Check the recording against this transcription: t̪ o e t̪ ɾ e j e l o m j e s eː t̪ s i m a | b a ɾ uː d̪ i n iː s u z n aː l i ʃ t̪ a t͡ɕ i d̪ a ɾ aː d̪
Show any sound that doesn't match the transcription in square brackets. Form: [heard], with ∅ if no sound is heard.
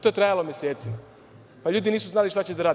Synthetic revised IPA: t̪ o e t̪ ɾ [a] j [a] l o m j e s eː t̪ s i m a | [p] a [ʎ] uː d̪ i n iː s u z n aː l i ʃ t̪ a t͡ɕ [e] d̪ a ɾ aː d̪